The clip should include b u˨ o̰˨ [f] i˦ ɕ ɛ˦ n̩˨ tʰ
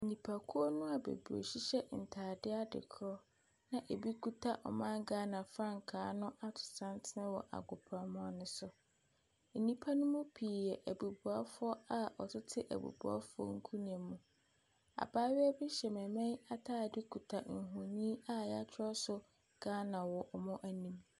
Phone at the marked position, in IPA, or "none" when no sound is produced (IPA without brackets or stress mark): ɕ